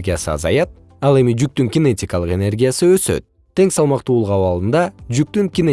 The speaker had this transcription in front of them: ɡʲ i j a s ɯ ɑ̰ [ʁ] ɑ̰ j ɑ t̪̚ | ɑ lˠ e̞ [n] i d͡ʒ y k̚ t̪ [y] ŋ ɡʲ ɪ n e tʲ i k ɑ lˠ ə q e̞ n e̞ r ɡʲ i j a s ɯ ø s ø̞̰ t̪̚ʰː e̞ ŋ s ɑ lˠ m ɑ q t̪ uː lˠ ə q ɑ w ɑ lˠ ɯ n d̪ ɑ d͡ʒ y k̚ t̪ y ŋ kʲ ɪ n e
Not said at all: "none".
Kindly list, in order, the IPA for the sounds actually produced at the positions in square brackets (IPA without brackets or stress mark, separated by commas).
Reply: z, m, y